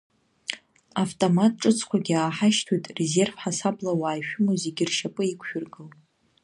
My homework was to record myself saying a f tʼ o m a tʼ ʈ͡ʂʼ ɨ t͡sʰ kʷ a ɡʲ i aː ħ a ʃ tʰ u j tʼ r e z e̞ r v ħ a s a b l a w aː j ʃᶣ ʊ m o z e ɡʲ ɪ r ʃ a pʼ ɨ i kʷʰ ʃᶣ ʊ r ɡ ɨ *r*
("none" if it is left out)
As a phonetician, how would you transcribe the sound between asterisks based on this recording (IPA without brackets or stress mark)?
l